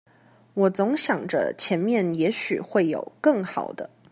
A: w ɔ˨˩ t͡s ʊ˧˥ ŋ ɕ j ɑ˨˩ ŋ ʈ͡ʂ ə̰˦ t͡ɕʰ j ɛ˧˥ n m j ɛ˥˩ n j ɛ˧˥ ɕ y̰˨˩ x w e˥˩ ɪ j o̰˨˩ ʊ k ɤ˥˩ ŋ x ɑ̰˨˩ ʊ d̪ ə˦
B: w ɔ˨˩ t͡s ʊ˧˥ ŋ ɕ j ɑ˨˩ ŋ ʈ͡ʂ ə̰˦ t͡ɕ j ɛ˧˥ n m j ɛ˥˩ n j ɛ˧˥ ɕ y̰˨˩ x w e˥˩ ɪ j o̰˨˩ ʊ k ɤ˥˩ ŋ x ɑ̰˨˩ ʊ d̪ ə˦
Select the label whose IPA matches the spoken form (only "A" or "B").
A